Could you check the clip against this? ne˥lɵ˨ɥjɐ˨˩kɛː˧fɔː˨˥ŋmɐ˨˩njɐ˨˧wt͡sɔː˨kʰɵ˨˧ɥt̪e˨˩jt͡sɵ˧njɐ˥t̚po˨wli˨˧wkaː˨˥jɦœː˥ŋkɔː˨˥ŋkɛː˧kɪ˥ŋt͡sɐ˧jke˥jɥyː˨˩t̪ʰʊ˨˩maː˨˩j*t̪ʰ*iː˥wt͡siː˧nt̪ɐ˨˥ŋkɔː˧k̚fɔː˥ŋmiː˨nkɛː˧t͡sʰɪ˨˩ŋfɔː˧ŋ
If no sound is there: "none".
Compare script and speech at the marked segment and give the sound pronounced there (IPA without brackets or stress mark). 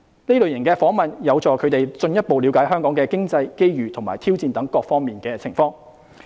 t̪ʰ